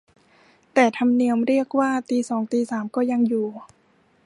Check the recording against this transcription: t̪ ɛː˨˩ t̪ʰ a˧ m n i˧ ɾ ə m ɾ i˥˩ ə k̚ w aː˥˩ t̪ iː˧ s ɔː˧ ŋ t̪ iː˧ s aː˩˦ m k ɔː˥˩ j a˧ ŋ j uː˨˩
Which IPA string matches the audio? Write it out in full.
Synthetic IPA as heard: t̪ ɛː˨˩ t̪ʰ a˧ m n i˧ ə m ɾ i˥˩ ə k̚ w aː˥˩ t̪ iː˧ s ɔː˩˦ ŋ t̪ iː˧ s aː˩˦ m k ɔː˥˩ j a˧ ŋ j uː˨˩